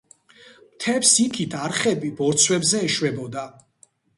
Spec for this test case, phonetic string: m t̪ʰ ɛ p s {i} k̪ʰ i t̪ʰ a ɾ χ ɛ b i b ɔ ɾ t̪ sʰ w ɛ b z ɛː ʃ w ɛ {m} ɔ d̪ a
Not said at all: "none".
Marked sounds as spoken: i, b

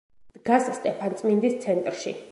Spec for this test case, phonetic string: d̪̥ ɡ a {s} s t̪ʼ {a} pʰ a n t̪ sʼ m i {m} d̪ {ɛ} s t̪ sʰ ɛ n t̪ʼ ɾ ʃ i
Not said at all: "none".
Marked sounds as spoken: s, ɛ, n, i

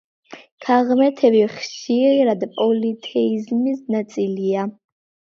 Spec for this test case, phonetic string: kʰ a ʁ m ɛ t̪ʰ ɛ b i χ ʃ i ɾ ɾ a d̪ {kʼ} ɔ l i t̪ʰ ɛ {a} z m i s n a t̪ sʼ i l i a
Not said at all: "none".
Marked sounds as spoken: pʼ, i

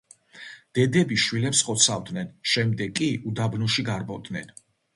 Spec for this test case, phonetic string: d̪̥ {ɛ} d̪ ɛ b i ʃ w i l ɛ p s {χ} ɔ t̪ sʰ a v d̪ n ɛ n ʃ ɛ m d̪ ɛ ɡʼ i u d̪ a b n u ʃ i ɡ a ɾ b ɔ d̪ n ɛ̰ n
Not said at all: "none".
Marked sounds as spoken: ɛ, χ

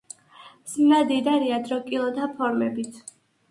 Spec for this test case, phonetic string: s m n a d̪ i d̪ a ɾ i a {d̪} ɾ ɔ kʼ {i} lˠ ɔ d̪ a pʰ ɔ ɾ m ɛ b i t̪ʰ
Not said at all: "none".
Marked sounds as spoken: d̪, i

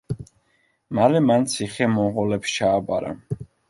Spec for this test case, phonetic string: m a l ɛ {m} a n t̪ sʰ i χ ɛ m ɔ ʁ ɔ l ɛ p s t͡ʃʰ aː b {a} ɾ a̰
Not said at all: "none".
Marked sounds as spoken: m, a

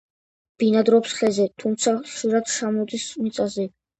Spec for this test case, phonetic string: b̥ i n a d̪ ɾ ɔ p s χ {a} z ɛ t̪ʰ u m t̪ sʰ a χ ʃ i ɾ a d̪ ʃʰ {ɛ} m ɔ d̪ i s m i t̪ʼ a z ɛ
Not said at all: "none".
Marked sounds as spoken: ɛ, a

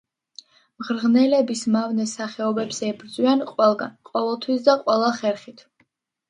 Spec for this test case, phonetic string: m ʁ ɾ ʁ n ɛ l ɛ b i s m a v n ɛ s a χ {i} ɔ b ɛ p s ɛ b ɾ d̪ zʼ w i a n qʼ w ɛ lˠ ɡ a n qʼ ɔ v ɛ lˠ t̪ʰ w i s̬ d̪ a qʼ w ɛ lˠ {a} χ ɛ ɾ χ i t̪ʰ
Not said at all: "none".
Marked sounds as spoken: ɛ, a

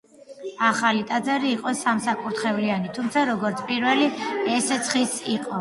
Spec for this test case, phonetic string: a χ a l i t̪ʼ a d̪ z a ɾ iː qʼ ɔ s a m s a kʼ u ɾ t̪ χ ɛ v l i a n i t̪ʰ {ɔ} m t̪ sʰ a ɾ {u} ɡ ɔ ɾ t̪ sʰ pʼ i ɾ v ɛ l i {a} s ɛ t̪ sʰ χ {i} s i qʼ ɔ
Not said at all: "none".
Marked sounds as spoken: u, ɔ, ɛ, i

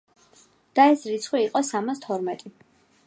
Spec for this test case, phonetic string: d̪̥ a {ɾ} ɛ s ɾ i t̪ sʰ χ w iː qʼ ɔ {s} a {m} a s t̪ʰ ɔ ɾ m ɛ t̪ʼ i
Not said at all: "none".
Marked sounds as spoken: none, s, m

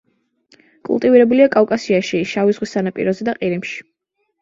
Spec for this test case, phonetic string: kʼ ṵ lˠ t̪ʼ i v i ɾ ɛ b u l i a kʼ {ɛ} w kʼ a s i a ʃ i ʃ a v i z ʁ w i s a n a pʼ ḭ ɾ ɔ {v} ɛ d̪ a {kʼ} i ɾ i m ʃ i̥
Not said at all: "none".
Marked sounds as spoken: a, z, qʼ

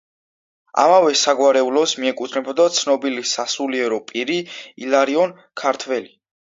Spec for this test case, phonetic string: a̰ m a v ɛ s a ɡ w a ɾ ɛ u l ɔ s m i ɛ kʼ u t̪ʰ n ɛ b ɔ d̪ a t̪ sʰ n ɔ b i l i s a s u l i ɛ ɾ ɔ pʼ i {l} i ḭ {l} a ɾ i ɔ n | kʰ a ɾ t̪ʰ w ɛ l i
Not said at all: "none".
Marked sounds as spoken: ɾ, l

